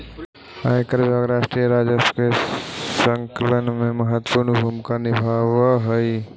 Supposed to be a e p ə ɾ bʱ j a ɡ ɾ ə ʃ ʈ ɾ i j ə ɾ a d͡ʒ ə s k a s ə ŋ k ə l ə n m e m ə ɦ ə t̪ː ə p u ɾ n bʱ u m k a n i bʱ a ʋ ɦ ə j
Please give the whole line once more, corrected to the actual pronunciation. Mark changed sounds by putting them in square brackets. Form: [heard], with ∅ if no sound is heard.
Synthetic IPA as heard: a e [k] ə ɾ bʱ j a ɡ ɾ [a] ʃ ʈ ɾ i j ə ɾ a d͡ʒ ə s k [e] s ə ŋ k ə l ə n m e m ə ɦ ə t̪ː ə p u ɾ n bʱ u m k a n i bʱ a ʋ ɦ ə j

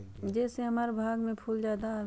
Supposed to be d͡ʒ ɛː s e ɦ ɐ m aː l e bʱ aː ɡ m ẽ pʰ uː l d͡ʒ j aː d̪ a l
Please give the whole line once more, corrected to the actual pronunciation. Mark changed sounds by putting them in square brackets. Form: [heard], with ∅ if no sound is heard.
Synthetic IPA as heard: d͡ʒ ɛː s e ɦ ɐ m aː [ɾ] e bʱ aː ɡ m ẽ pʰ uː l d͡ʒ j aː d̪ a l

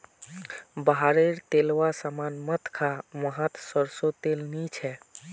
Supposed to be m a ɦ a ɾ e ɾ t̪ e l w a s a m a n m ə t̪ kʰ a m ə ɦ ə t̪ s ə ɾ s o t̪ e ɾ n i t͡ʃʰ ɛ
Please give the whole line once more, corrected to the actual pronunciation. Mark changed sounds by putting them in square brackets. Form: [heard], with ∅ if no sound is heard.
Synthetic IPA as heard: [b] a ɦ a ɾ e ɾ t̪ e l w a s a m a n m ə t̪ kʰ a m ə ɦ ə t̪ s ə ɾ s o t̪ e [l] n i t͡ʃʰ ɛ

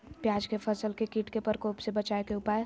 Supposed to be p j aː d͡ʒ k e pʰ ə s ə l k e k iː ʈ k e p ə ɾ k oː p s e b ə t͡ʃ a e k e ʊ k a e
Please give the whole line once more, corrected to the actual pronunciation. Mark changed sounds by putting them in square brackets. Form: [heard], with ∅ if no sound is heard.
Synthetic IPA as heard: p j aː d͡ʒ k e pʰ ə s ə l k e k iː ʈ k e p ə ɾ k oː p s e b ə t͡ʃ a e k e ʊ [p] a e

